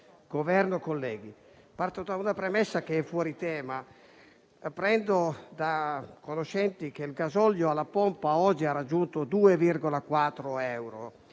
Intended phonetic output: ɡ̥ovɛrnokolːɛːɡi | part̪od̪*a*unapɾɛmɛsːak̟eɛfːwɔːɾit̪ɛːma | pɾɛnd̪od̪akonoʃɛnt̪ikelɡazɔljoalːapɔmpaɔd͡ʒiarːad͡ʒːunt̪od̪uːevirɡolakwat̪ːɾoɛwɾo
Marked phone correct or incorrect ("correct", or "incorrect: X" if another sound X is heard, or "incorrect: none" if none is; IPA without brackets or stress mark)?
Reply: correct